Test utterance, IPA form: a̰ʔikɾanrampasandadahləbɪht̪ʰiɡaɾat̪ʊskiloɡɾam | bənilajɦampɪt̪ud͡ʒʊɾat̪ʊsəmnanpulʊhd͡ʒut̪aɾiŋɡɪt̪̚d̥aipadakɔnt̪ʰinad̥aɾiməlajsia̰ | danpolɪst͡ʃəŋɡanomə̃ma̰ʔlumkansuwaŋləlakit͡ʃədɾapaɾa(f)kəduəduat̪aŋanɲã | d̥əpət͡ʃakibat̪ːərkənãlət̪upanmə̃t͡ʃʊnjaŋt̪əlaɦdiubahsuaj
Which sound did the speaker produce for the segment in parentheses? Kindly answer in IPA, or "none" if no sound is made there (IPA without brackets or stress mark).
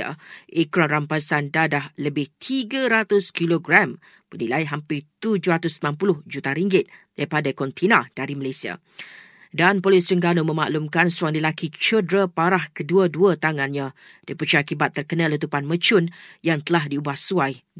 h